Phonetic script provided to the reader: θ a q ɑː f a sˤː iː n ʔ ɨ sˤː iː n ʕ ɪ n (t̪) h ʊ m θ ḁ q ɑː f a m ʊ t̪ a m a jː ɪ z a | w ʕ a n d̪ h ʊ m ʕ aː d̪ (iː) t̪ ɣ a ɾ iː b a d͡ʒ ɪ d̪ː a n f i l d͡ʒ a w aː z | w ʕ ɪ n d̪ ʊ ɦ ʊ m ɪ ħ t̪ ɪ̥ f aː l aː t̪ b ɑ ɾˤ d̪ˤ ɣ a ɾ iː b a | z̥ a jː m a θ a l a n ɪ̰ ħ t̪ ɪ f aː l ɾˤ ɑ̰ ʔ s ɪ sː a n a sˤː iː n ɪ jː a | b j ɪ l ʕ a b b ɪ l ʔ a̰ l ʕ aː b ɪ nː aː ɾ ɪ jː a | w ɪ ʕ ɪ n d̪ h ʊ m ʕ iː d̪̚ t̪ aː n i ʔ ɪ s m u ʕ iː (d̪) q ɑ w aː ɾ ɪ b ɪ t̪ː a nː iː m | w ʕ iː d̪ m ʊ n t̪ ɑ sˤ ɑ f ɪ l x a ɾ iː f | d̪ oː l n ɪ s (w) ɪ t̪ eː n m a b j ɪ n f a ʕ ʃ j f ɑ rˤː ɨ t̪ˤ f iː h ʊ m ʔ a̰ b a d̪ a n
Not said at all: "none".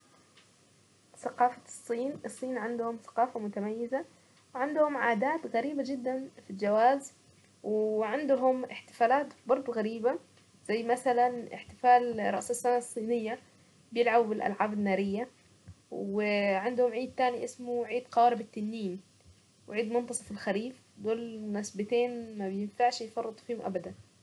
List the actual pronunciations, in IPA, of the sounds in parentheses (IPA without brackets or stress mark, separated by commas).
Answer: d̪, aː, d̪, b